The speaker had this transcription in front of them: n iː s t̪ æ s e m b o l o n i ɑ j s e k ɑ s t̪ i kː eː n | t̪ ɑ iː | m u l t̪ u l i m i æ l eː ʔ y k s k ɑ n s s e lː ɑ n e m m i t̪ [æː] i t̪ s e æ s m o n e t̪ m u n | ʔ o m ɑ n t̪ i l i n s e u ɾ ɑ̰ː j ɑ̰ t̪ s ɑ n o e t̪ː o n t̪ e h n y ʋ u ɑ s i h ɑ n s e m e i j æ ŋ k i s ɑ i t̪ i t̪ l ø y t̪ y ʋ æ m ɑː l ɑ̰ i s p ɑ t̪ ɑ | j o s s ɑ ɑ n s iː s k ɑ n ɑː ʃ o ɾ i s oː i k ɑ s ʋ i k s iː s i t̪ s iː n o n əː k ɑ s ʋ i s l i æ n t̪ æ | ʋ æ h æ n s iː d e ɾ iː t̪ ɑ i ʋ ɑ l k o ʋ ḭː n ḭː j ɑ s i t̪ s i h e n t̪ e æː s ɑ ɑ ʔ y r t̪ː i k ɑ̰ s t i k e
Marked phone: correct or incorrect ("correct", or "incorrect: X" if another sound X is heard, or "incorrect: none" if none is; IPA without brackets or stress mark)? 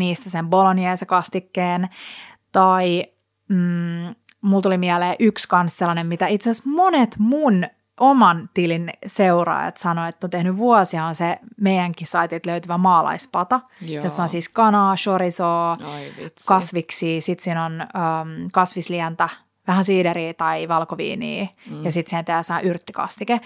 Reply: incorrect: æ